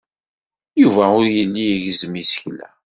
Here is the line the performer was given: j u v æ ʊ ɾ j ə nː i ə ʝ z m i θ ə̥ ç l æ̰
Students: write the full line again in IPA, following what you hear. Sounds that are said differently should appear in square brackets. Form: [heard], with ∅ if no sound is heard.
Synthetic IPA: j u v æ ʊ ɾ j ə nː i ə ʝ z m i [s] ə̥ ç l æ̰